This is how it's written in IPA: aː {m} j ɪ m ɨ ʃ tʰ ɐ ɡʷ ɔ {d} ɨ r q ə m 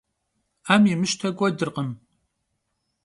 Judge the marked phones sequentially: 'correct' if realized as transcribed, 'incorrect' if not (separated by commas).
correct, correct